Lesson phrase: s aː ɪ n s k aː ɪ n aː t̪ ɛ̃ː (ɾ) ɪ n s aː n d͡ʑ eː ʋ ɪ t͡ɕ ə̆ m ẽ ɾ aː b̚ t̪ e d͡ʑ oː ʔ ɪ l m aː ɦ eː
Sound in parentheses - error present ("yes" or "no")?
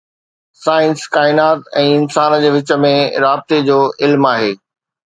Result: yes